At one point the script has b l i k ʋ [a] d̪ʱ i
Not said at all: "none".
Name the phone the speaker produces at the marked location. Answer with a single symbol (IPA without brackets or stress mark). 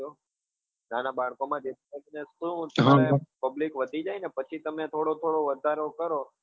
ə